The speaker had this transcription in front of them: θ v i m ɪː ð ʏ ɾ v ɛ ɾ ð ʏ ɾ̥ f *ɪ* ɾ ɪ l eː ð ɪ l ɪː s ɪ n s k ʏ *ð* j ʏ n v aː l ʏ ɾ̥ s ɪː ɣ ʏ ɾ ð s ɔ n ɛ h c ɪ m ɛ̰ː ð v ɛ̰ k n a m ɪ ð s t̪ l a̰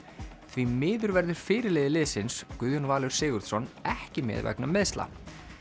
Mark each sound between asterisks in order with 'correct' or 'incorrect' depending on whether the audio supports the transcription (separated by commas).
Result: incorrect, correct